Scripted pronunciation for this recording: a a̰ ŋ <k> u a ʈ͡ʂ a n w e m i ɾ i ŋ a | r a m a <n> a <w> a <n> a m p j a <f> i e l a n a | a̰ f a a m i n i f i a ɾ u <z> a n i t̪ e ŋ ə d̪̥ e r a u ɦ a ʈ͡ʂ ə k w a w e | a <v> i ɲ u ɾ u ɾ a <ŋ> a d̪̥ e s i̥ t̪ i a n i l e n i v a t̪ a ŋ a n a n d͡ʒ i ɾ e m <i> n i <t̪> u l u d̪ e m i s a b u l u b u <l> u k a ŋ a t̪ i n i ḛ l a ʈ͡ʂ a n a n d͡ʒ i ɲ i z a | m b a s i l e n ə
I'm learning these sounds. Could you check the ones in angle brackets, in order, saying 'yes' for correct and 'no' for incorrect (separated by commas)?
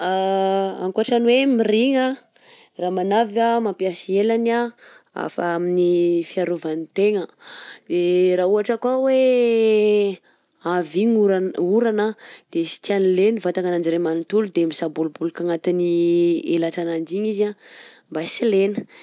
yes, yes, no, no, no, no, yes, no, no, yes, yes